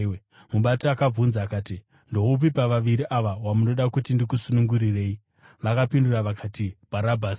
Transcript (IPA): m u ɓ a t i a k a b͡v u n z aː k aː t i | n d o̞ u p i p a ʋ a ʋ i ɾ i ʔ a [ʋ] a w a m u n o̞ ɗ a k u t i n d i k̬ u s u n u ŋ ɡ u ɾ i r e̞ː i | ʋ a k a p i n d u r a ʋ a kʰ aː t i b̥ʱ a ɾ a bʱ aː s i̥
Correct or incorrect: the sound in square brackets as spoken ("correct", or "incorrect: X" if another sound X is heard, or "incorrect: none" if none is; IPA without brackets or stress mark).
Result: correct